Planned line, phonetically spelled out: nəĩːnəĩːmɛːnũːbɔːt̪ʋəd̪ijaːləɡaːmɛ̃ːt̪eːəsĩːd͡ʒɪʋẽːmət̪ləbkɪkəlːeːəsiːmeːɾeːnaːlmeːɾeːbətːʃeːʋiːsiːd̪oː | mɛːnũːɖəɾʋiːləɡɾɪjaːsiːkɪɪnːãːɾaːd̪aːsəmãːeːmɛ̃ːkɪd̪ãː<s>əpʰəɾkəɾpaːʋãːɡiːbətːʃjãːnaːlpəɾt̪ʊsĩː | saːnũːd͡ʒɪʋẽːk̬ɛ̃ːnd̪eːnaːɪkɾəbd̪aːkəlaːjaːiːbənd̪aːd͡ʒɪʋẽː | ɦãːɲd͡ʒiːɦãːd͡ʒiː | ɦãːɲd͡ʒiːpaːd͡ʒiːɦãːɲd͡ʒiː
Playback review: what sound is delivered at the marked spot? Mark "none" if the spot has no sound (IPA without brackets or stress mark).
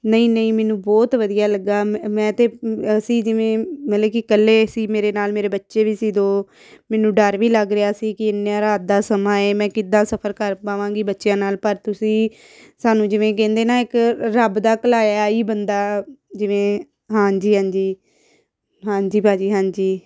s